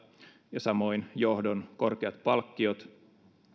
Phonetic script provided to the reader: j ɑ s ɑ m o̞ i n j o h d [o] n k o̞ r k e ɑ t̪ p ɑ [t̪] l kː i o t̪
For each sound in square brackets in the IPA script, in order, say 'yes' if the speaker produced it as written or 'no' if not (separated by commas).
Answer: yes, no